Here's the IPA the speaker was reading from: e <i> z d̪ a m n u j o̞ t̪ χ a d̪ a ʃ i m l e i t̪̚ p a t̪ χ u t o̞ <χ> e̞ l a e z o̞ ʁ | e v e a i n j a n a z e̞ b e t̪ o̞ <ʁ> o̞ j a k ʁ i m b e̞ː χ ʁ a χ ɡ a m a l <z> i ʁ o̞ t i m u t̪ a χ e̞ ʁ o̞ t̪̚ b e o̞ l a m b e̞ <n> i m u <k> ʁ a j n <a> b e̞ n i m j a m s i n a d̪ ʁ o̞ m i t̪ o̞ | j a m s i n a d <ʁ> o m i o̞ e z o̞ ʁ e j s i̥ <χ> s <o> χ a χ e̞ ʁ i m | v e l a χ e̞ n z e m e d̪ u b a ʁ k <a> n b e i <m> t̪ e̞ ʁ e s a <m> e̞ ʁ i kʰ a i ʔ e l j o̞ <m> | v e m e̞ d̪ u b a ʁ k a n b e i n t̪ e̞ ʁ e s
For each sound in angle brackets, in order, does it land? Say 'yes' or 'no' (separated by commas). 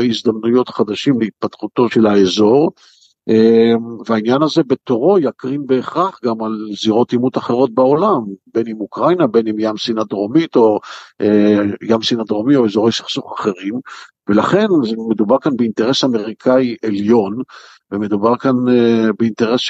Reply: yes, no, yes, yes, yes, yes, yes, yes, yes, no, yes, no, yes, no